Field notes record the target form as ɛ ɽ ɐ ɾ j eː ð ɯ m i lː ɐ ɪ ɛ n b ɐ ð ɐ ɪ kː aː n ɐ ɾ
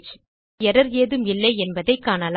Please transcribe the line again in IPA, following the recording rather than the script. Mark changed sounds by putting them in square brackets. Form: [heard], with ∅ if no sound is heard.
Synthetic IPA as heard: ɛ [ɾ] ɐ ɾ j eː ð ɯ m [ɪ] lː ɐ ɪ ɛ n b ɐ ð ɐ ɪ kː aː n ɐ [l]